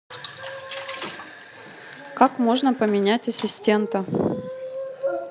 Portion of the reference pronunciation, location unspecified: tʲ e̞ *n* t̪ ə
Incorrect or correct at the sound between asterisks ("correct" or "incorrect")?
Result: correct